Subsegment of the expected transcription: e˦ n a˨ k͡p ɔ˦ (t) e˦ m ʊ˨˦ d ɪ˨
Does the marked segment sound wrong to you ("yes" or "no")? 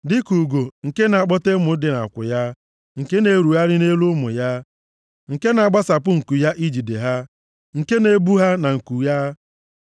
no